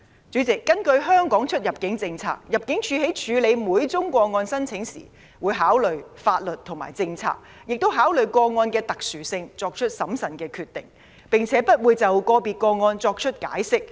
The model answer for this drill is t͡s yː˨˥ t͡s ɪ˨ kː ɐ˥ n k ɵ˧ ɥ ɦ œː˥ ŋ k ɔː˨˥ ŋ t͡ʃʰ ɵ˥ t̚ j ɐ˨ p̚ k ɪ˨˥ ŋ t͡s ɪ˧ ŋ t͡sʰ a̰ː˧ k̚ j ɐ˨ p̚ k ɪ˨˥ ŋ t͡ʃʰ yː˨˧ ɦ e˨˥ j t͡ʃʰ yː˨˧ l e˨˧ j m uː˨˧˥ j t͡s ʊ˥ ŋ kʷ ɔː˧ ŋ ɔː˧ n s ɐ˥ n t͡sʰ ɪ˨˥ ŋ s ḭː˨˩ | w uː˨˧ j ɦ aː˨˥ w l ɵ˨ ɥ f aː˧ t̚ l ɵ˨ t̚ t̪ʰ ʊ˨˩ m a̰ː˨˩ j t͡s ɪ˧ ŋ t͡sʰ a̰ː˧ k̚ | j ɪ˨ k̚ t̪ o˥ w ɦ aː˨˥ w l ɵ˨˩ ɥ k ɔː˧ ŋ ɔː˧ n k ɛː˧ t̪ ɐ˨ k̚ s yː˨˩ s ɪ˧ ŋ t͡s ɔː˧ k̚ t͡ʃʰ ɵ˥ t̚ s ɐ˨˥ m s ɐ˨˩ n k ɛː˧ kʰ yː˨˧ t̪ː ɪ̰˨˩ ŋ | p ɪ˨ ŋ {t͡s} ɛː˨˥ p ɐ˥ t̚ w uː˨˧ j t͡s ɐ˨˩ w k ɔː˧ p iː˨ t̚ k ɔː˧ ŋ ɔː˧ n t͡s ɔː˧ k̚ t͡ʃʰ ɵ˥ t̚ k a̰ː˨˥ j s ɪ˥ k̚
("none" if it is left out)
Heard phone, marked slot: t͡sʰ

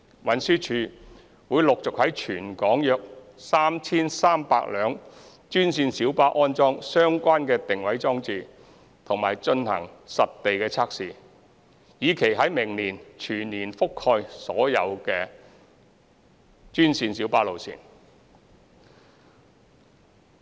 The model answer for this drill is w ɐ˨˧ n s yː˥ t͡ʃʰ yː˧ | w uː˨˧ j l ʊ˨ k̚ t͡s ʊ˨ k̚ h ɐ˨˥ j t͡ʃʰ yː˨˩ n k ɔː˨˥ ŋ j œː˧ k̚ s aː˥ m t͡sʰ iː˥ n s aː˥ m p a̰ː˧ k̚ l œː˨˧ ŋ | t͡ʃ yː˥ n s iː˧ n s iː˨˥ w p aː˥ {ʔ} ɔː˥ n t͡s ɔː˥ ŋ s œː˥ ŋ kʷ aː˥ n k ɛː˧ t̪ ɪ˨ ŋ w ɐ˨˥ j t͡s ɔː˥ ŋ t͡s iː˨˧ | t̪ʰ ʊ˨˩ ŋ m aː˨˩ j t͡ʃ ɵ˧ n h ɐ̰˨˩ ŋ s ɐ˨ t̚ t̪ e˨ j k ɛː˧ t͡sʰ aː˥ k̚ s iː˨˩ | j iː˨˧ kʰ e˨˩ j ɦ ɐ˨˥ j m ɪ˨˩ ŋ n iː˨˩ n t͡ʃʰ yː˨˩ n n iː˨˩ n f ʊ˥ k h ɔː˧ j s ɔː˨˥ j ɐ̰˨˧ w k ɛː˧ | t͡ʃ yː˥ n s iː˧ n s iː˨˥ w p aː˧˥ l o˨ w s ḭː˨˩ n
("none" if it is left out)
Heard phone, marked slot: ʔ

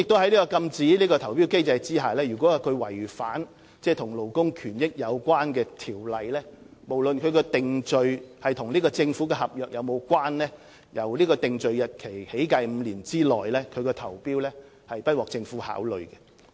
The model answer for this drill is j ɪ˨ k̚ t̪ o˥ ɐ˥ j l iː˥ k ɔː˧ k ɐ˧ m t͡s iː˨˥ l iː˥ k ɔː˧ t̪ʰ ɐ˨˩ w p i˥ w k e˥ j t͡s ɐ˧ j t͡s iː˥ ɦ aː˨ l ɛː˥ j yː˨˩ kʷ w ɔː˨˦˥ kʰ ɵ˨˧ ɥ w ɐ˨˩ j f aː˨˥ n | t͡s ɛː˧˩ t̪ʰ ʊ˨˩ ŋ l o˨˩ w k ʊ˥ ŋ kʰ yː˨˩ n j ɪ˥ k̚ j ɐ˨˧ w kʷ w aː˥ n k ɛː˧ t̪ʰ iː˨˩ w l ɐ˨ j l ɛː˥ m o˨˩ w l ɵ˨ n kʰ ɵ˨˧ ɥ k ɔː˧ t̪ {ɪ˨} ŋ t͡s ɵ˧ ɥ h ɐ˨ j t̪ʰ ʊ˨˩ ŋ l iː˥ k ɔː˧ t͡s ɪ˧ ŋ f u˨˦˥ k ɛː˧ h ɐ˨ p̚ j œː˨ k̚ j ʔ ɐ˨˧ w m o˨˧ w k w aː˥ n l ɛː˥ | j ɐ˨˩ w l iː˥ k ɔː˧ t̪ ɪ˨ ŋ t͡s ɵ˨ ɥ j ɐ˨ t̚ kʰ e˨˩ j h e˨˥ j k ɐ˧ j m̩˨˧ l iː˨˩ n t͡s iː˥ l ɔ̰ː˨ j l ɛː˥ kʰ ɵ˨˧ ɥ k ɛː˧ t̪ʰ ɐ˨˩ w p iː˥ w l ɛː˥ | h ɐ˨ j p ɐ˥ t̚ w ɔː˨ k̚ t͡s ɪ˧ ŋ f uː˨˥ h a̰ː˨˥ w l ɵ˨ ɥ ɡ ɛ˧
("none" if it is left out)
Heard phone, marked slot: ɪ˨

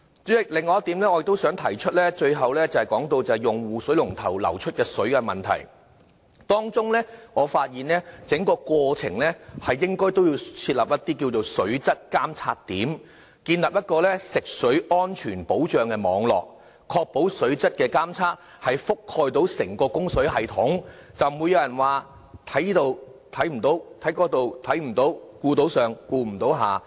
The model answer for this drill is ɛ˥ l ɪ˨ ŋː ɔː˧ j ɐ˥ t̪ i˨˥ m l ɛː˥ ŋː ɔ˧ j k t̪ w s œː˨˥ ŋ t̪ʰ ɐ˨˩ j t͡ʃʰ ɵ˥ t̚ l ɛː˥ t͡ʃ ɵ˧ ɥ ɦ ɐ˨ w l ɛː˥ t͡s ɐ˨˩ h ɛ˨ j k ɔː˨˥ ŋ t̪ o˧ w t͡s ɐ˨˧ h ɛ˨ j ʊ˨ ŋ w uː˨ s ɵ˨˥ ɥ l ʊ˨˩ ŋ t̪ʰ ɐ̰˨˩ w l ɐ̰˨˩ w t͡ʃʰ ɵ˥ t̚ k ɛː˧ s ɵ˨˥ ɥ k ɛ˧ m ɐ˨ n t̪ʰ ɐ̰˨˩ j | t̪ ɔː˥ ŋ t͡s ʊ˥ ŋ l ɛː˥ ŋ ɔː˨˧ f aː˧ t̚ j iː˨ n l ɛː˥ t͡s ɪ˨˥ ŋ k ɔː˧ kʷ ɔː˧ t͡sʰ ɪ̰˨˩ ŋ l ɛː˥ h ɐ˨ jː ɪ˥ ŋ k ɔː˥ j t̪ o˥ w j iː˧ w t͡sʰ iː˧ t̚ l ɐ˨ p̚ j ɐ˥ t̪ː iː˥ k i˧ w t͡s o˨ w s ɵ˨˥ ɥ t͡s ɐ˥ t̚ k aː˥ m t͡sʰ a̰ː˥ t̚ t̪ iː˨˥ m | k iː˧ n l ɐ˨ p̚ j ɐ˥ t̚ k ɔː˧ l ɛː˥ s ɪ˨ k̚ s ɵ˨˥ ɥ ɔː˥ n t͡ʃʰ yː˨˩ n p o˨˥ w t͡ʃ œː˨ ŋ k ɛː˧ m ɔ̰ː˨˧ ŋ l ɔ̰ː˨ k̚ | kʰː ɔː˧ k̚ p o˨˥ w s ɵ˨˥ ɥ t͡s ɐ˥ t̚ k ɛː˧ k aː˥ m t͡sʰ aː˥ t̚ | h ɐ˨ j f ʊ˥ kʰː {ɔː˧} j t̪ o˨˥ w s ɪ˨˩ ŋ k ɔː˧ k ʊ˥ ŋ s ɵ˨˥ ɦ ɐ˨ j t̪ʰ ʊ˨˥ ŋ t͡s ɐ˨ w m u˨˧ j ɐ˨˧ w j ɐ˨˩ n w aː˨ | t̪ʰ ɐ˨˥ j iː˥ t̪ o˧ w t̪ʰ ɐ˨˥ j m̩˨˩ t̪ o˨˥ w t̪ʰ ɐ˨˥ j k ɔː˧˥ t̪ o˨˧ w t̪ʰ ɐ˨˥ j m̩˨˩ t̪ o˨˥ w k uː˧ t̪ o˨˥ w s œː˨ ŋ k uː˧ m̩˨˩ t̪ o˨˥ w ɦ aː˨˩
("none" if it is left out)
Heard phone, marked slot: ɔː˧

